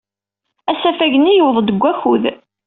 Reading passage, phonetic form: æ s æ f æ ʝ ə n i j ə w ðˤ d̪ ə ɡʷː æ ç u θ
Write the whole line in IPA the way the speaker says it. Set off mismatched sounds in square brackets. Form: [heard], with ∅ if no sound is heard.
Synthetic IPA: æ s æ f æ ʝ ə n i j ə w ðˤ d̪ ə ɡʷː æ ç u [ð]